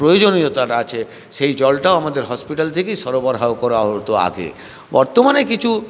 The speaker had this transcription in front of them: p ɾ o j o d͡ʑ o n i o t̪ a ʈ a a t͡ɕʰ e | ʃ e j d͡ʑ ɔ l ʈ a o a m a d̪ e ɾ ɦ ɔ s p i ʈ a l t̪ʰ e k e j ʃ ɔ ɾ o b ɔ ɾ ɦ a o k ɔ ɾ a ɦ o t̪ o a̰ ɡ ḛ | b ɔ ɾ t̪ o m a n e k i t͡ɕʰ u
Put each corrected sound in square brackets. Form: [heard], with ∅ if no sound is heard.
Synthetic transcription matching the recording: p ɾ o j o d͡ʑ o n i o t̪ a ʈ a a t͡ɕʰ e | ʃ e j d͡ʑ ɔ l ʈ a o a m a d̪ e ɾ ɦ ɔ s p i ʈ a l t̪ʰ e k e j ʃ ɔ ɾ o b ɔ ɾ ɦ a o k ɔ ɾ a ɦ o t̪ o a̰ ɡ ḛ | b ɔ ɾ t̪ o m a n e k i t͡ɕʰ u